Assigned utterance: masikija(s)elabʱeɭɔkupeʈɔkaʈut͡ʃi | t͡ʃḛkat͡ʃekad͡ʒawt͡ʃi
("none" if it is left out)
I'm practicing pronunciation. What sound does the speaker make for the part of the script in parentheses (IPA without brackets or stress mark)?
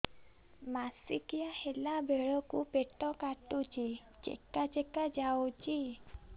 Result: h